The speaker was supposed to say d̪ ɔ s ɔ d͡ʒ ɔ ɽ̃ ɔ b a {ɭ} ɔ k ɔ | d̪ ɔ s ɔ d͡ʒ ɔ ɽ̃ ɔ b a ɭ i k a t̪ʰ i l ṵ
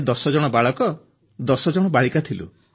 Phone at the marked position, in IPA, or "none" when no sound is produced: ɭ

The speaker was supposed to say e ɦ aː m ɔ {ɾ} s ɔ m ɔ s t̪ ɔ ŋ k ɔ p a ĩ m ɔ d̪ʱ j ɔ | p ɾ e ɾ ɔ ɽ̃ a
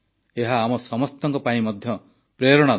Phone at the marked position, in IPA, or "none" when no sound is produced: none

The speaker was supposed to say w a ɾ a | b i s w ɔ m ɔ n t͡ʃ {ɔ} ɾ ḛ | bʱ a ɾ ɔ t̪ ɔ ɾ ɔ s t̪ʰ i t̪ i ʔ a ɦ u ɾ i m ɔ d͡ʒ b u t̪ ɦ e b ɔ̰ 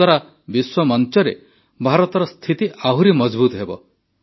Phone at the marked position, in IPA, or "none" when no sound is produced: ɔ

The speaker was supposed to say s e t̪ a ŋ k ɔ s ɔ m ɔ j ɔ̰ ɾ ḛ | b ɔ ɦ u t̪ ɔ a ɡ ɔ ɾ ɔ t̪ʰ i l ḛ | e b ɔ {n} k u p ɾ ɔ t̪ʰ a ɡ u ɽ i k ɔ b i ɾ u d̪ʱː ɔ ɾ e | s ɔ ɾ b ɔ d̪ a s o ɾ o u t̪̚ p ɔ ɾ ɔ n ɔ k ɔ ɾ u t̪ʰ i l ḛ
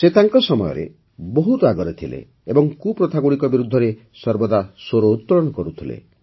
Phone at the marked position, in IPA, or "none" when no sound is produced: ŋ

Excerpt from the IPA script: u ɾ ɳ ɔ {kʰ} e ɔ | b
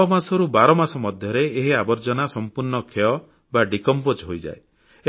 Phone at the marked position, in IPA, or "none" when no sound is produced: kʰ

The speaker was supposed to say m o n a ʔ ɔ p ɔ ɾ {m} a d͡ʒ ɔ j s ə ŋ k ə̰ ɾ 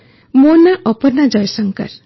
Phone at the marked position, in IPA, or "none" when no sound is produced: n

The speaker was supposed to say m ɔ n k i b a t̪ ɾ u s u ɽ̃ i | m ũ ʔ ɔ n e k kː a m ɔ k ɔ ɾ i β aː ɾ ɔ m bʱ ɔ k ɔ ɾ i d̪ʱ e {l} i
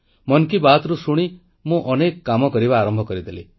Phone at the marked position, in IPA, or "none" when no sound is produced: l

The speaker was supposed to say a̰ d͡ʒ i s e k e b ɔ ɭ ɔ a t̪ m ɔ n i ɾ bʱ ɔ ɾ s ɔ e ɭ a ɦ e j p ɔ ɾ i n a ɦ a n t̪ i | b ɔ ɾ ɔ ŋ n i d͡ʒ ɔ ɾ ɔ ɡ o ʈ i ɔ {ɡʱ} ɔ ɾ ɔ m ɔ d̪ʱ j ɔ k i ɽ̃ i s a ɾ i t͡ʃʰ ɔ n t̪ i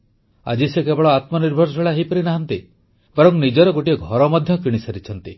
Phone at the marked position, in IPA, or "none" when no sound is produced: ɡʱ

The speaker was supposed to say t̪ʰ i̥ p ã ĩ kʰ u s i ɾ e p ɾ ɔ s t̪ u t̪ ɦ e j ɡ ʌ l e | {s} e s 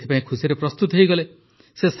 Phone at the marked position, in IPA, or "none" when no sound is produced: s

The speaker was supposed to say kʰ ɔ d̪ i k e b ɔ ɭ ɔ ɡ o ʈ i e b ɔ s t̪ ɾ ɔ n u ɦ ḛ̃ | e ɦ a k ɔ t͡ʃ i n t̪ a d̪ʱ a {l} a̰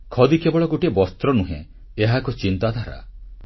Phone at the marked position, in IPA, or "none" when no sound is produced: ɾ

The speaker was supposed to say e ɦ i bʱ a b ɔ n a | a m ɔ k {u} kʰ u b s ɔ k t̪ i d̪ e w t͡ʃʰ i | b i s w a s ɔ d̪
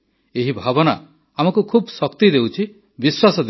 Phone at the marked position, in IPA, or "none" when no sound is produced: u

